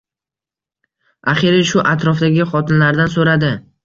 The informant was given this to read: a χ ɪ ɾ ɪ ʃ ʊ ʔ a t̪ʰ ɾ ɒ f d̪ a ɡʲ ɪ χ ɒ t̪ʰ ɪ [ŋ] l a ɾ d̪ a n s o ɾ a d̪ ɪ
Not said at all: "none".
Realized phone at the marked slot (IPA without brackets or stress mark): n